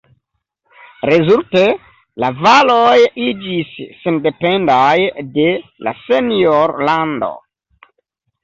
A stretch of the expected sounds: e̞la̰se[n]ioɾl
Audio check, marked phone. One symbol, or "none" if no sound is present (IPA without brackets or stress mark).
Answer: n